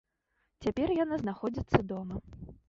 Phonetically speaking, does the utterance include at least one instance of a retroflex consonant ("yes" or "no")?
no